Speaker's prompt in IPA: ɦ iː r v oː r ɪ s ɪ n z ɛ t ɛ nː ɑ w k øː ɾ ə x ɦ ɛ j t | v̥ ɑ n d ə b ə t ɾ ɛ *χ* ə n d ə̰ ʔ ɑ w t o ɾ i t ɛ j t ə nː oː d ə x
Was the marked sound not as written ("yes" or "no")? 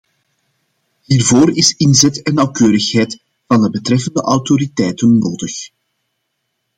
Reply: yes